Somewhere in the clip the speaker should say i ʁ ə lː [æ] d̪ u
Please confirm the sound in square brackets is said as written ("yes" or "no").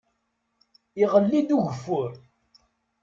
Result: no